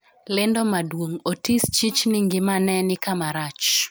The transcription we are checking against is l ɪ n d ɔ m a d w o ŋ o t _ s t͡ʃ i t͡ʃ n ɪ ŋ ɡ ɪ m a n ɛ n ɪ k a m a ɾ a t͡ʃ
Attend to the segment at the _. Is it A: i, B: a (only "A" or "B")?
A